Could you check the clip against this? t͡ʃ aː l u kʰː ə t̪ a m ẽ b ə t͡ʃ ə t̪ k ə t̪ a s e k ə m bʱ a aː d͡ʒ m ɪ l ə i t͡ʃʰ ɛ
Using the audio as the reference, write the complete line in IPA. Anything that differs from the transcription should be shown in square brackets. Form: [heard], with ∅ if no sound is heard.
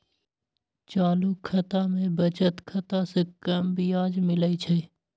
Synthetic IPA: t͡ʃ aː l u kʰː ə t̪ a m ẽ b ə t͡ʃ ə t̪ [kʰ] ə t̪ a s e k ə m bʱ [i] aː d͡ʒ m ɪ l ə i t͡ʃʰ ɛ